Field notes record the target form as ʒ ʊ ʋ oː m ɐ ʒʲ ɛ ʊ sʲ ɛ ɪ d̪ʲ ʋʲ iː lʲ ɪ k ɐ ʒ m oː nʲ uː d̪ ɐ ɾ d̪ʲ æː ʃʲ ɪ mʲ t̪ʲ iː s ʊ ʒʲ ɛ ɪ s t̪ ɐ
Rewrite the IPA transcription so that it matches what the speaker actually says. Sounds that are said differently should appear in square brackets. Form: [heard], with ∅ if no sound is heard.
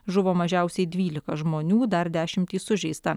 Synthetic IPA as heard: ʒ ʊ ʋ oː m ɐ ʒʲ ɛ ʊ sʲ ɛ ɪ d̪ʲ ʋʲ iː lʲ ɪ k ɐ ʒ m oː nʲ uː d̪ ɐ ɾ d̪ʲ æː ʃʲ ɪ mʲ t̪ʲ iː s ʊ ʒʲ ɛ ɪ s t̪ ɐ